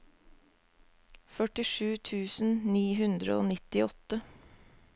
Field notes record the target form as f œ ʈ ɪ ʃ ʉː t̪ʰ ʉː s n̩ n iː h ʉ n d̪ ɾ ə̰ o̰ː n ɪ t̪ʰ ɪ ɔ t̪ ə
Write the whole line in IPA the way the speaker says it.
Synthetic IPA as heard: f œ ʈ ɪ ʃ ʉː t̪ʰ ʉː s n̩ n iː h ʉ n d̪ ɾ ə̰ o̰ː n ɪ t̪ ɪ ɔ t̪ ə